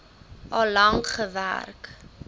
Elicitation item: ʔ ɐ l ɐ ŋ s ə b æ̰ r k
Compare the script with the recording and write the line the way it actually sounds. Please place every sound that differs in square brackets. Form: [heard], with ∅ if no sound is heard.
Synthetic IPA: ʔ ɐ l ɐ ŋ [χ] ə [v] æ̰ r k